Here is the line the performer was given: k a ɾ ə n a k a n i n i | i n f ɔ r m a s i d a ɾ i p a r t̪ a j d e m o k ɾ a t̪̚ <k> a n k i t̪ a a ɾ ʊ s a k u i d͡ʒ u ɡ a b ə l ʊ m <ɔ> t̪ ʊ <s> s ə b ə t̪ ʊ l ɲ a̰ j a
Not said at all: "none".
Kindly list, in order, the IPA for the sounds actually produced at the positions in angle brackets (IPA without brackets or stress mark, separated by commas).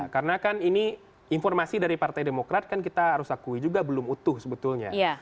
k, u, h